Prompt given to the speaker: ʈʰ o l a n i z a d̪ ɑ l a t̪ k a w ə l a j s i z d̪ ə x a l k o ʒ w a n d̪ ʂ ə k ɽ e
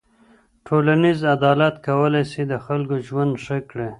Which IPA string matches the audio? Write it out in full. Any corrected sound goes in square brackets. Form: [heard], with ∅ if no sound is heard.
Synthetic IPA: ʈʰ o l a n i z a d̪ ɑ l a t̪ k a w ə l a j s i [∅] d̪ ə x a l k o ʒ w a n d̪ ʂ ə k ɽ e